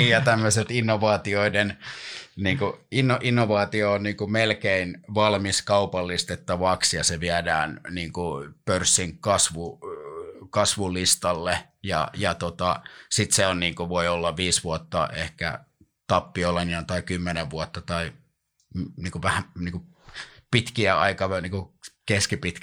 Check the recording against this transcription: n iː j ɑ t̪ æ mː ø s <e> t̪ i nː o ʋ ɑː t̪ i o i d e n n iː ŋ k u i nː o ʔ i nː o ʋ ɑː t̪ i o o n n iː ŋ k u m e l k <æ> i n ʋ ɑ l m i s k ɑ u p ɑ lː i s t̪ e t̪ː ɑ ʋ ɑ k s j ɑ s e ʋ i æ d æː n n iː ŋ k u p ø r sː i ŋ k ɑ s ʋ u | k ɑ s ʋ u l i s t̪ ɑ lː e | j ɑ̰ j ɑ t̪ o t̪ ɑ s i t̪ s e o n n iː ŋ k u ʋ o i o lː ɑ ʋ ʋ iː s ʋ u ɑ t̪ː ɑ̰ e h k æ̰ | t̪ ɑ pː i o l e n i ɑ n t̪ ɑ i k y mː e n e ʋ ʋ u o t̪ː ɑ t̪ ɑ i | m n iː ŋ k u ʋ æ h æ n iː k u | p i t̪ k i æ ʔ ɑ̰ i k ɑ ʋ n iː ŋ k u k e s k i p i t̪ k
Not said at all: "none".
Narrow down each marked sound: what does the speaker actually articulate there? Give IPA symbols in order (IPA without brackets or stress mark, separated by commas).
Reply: e, e